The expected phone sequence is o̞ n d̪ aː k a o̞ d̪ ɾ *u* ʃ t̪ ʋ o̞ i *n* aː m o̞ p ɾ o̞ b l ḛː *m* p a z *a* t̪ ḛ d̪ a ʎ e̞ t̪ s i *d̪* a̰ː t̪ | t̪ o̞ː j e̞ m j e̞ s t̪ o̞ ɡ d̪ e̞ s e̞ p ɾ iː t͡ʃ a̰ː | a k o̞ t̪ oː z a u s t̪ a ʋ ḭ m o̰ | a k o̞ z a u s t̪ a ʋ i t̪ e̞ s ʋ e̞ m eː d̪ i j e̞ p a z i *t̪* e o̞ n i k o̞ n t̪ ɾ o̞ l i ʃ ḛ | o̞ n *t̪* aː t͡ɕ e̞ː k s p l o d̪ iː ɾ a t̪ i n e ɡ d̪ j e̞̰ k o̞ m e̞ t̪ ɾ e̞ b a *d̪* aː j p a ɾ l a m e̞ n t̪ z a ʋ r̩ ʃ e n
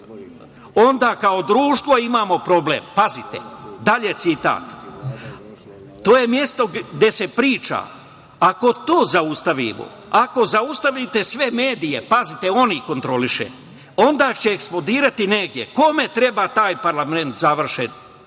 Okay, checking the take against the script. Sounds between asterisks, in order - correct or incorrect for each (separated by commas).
incorrect, incorrect, correct, incorrect, incorrect, correct, incorrect, incorrect